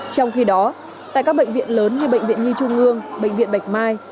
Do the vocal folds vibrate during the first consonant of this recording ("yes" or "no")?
no